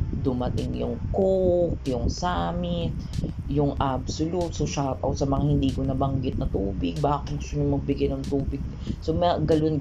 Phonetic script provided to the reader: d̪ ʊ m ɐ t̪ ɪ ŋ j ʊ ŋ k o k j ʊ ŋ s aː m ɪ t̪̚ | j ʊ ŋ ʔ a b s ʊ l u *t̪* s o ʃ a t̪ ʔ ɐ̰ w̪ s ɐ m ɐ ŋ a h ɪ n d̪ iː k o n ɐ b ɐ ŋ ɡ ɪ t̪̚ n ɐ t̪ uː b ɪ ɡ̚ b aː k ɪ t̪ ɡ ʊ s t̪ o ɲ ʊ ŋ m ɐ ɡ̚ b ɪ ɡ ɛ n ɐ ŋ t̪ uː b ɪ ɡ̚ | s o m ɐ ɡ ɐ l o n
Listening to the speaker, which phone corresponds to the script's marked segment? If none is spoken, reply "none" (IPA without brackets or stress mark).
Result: t̪